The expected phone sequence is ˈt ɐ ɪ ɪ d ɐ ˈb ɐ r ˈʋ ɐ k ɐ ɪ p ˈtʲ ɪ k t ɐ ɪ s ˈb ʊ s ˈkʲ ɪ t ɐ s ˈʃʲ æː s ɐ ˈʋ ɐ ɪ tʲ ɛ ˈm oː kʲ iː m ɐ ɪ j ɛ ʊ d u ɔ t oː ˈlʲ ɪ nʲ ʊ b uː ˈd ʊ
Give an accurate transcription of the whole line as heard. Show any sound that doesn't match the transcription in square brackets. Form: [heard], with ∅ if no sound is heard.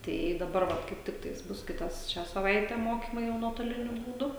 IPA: ˈt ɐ ɪ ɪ d ɐ ˈb ɐ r ˈʋ ɐ k ɐ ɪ p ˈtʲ ɪ k t ɐ ɪ s ˈb ʊ s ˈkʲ ɪ t ɐ s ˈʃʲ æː s ɐ ˈʋ ɐ ɪ tʲ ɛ ˈm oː kʲ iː m ɐ ɪ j ɛ ʊ [n] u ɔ t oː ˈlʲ ɪ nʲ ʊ b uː ˈd ʊ